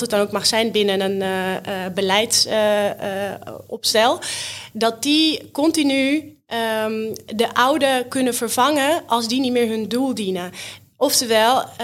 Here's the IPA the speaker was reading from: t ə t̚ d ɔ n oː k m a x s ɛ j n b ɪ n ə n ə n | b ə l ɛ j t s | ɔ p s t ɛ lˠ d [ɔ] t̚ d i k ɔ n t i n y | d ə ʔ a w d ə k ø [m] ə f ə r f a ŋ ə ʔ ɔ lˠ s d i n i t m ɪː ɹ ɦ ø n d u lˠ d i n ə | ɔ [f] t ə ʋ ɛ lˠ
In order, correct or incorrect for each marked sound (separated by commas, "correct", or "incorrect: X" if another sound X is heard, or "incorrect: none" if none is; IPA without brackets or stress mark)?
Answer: correct, incorrect: n, correct